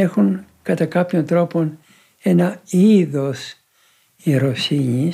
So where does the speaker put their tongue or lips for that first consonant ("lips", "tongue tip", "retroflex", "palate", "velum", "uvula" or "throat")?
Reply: velum